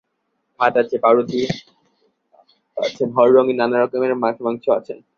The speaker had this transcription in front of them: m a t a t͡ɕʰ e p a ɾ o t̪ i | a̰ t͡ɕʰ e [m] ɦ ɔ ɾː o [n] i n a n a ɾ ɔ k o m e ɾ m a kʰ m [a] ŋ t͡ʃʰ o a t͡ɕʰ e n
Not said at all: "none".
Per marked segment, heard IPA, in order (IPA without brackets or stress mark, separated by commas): n, ŋ, a